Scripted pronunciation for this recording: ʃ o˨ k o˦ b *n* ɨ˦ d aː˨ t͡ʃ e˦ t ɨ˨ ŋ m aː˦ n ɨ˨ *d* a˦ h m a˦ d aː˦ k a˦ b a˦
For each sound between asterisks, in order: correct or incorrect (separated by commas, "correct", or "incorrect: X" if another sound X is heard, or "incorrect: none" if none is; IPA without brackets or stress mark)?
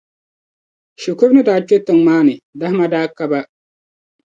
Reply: correct, correct